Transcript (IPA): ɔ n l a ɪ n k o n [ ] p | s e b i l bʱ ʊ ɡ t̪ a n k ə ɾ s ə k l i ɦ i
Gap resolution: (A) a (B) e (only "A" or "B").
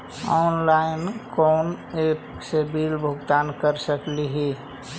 B